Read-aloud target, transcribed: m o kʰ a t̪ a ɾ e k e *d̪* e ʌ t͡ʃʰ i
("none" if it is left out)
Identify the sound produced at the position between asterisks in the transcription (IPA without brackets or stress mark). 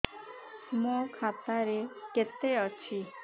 t̪